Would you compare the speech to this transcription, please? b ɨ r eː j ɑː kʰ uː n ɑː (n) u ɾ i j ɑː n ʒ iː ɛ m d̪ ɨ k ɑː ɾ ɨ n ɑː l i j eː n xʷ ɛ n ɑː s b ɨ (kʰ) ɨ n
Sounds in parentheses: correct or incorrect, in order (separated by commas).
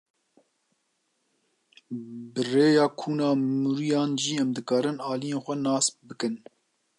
incorrect, incorrect